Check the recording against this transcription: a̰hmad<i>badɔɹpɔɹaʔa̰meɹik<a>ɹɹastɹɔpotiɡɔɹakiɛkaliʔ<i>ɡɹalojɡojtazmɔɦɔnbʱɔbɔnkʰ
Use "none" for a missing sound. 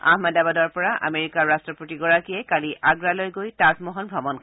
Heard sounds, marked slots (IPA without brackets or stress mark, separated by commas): a, a, a